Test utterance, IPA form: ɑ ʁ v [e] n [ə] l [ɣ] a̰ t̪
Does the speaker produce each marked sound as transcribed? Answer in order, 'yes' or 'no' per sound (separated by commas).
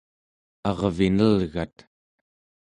no, yes, yes